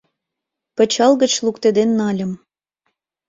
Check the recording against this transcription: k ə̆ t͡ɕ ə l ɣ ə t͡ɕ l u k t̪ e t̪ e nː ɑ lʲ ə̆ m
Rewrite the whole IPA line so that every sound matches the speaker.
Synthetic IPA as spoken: p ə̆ t͡ɕ ɑ l ɣ ə t͡ɕ l u k t̪ e d̪ e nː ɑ lʲ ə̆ m